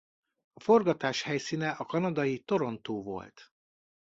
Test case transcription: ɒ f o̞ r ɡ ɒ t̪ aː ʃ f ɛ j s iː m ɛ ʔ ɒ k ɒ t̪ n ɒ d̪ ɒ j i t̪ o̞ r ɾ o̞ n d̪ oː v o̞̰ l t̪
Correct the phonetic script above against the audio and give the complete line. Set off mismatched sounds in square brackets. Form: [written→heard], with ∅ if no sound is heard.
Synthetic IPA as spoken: ɒ f o̞ r ɡ ɒ t̪ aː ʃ [f→h] ɛ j s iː [m→n] ɛ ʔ ɒ k ɒ [t̪→∅] n ɒ d̪ ɒ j i t̪ o̞ [r→∅] ɾ o̞ n [d̪→t̪] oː v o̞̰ l t̪